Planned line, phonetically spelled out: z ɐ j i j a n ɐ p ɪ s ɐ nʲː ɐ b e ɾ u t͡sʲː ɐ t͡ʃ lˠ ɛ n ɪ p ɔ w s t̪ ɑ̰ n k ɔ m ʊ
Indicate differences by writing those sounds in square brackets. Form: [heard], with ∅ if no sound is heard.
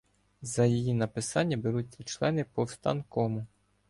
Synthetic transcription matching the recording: z ɐ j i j [i] n ɐ p ɪ s [ɑ] nʲː ɐ b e ɾ u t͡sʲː ɐ t͡ʃ lˠ ɛ n ɪ p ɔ w s t̪ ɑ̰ n k ɔ m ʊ